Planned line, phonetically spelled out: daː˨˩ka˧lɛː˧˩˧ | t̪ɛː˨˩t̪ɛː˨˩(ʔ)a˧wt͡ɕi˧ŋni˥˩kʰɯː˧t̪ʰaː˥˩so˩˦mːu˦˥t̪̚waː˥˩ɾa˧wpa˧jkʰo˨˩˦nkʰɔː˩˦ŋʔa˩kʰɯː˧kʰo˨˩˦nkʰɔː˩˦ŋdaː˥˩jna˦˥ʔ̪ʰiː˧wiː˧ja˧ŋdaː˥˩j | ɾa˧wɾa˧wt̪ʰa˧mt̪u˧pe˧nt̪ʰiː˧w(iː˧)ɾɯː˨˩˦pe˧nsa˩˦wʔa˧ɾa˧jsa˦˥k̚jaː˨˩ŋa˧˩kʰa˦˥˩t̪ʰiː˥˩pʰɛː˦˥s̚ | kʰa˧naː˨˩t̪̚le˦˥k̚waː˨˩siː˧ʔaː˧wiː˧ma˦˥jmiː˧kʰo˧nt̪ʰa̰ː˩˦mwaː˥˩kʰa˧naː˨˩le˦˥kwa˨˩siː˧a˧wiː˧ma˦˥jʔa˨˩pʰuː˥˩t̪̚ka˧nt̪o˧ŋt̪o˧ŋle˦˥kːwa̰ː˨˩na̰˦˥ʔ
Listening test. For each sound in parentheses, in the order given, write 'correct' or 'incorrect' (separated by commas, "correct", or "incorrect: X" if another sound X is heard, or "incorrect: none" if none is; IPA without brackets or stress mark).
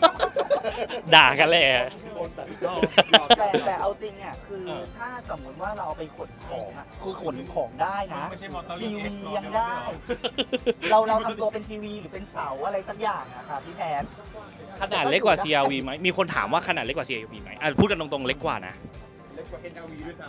correct, correct